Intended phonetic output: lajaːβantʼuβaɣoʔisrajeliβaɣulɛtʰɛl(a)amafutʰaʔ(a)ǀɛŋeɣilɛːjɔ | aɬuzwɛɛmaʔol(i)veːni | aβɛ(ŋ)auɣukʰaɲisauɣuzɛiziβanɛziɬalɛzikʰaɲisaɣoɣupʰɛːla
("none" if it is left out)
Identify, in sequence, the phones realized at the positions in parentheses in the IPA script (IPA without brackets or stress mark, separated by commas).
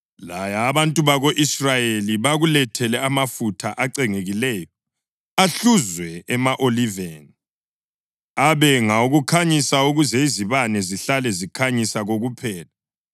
ɛ, a, i, ŋ